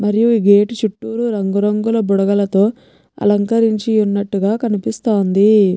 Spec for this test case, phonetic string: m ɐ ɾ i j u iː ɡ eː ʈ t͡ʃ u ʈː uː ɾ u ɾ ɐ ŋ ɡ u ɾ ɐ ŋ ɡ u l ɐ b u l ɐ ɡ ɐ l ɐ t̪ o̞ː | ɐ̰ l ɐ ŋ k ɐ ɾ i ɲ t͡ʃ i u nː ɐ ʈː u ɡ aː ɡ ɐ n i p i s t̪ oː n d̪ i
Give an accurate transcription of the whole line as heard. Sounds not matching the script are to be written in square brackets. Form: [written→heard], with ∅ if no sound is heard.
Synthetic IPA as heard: m ɐ ɾ i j u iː ɡ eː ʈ t͡ʃ u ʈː uː ɾ u ɾ ɐ ŋ ɡ u ɾ ɐ ŋ ɡ u l ɐ b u [l→ɽ] ɐ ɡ ɐ l ɐ t̪ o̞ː | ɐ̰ l ɐ ŋ k ɐ ɾ i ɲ t͡ʃ i u nː ɐ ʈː u ɡ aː [ɡ→k] ɐ n i p i s t̪ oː n d̪ i